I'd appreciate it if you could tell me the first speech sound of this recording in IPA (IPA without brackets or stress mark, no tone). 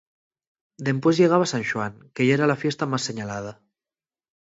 d̪